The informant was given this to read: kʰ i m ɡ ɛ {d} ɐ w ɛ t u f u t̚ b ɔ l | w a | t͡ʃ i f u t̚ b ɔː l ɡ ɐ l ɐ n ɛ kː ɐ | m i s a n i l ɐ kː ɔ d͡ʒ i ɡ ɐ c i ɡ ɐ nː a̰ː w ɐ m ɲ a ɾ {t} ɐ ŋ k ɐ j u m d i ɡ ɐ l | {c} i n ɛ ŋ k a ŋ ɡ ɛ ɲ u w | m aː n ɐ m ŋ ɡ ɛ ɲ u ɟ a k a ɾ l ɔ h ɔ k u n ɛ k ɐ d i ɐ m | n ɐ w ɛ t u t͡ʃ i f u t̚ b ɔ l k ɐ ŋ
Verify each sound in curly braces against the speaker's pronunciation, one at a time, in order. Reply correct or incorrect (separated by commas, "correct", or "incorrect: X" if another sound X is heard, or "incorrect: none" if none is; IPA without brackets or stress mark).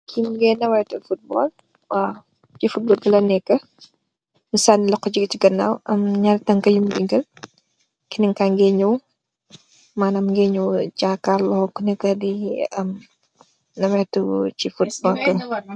incorrect: n, correct, incorrect: k